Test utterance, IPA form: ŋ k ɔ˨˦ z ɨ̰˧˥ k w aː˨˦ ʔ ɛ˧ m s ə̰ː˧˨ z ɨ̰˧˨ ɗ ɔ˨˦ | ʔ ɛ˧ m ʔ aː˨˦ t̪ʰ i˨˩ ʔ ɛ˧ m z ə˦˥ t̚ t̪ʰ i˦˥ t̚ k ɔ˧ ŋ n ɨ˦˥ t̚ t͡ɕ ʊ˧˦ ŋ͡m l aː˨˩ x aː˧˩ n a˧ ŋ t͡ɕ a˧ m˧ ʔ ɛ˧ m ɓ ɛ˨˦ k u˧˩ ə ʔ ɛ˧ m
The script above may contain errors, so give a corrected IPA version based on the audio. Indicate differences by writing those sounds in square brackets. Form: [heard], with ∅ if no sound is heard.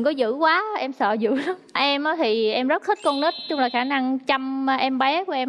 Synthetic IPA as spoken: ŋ k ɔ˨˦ z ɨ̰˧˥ k w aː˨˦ ʔ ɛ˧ m s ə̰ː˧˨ z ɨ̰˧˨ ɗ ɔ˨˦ | ʔ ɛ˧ m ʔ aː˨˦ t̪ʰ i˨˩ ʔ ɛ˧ m z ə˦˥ t̚ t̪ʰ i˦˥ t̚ k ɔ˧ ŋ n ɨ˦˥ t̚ t͡ɕ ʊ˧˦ ŋ͡m l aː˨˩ x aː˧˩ n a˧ ŋ t͡ɕ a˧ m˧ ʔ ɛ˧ m ɓ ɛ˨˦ k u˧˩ ə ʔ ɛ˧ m